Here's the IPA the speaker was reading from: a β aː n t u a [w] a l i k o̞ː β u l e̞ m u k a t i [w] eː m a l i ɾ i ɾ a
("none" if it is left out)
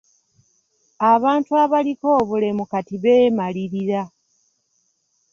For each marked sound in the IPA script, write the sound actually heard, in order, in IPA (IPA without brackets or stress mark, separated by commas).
β, β